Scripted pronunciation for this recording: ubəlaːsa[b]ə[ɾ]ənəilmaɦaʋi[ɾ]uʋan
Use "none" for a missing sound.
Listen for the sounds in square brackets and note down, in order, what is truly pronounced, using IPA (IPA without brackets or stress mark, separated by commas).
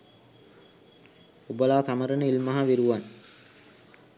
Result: m, ɾ, ɾ